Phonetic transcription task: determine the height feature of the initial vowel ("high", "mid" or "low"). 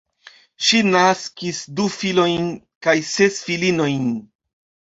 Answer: high